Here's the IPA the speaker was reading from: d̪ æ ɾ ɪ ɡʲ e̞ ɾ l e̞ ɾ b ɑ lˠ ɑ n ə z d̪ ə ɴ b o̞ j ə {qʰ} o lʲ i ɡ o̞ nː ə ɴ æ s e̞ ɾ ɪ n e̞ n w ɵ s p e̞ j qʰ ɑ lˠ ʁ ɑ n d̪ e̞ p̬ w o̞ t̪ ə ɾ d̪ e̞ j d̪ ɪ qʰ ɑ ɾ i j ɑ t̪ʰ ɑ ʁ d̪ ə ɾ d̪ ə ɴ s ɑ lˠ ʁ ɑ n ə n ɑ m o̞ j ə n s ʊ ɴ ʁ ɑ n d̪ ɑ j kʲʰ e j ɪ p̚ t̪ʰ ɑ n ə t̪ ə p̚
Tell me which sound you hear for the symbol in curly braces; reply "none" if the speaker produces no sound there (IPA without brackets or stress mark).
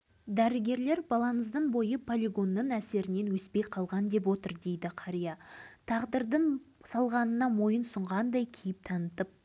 pʰ